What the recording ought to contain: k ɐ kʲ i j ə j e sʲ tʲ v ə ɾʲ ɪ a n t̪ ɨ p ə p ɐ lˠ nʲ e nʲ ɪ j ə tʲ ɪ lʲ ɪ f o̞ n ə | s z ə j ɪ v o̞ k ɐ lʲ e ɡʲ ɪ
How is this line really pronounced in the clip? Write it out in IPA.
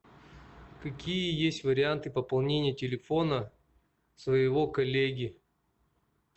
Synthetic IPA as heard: k ɐ kʲ i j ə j e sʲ tʲ v ə ɾʲ ɪ a n t̪ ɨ p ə p ɐ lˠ nʲ e nʲ ɪ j ə tʲ ɪ lʲ ɪ f o̞ n ə | s v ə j ɪ v o̞ k ɐ lʲ e ɡʲ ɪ